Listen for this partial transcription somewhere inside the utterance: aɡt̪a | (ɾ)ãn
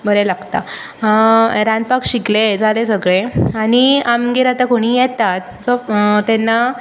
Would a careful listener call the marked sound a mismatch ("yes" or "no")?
no